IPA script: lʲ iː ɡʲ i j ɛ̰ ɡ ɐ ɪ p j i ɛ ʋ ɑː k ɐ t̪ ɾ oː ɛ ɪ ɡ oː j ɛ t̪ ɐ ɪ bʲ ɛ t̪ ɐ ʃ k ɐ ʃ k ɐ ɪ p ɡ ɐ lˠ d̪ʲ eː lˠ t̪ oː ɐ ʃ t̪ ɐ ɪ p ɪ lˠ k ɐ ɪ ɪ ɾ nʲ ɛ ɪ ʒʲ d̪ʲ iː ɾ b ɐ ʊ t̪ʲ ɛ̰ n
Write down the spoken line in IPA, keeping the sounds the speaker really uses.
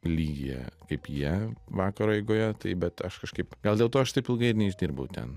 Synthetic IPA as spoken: lʲ iː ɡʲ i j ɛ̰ k ɐ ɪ p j i ɛ ʋ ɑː k ɐ ɾ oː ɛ ɪ ɡ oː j ɛ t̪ ɐ ɪ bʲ ɛ t̪ ɐ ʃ k ɐ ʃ k ɐ ɪ p ɡ ɐ lˠ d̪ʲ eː lˠ t̪ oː ɐ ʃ t̪ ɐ ɪ p ɪ lˠ ɡ ɐ ɪ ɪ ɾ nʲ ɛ ɪ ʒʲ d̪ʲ iː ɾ b ɐ ʊ t̪ʲ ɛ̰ n